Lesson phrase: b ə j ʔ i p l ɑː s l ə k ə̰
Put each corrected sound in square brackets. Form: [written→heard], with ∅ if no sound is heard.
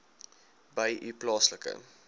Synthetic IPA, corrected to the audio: b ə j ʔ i p l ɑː s l ə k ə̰